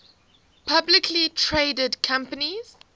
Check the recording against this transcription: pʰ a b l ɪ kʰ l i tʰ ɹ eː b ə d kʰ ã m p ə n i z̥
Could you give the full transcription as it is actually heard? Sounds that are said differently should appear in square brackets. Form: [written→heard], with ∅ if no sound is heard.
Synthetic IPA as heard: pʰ a b l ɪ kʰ l i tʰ ɹ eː [b→d] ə d kʰ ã m p ə n i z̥